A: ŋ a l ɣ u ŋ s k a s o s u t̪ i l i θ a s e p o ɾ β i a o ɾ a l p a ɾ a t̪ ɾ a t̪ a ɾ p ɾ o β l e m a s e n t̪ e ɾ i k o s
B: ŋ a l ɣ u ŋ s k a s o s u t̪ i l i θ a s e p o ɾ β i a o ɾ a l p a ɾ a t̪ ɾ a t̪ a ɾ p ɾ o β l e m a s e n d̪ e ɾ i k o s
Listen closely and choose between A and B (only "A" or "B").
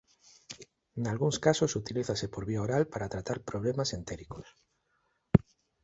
A